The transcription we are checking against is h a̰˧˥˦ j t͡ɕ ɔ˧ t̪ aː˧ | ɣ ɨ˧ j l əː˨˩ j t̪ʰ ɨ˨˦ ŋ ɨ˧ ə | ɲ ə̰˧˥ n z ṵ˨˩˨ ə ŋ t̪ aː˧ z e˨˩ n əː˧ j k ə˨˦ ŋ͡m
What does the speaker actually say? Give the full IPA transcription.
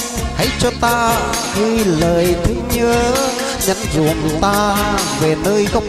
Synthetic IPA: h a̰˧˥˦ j t͡ɕ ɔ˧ t̪ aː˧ | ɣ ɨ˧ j l əː˨˩ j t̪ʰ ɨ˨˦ ɲ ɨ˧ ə | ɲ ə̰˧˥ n z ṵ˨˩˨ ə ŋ t̪ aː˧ v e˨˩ n əː˧ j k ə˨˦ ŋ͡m